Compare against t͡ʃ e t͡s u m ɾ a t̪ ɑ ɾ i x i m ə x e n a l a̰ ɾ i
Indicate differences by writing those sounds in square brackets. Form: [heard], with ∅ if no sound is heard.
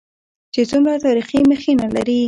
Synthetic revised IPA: t͡ʃ e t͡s u m ɾ a t̪ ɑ ɾ i x i m ə x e n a l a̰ ɾ i